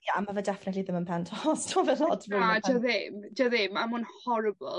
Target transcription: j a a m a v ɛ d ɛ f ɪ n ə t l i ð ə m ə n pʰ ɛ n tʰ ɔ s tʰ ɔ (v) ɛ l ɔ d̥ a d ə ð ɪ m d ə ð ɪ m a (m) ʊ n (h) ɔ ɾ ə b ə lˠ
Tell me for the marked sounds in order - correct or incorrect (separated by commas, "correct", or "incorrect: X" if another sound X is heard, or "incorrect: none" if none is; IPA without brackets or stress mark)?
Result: correct, correct, correct